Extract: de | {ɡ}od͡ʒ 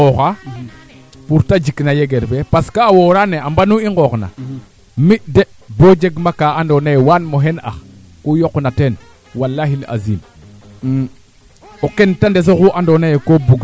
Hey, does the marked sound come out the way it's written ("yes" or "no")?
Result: no